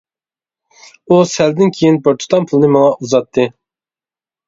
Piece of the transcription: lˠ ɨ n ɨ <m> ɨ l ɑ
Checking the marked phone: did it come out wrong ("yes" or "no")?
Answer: no